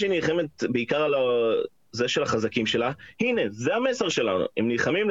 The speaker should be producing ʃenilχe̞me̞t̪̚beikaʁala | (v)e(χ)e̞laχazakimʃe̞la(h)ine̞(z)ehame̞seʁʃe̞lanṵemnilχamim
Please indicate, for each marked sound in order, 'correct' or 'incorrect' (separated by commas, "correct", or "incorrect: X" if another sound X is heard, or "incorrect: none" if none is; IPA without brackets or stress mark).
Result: incorrect: z, incorrect: ʃ, correct, correct